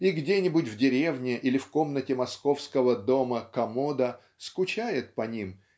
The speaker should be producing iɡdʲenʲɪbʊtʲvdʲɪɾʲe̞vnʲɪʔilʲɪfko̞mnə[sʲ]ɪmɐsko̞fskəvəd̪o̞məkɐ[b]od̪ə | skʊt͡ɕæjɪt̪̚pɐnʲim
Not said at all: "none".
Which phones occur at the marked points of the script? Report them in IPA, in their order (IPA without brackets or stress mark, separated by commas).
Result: tʲ, m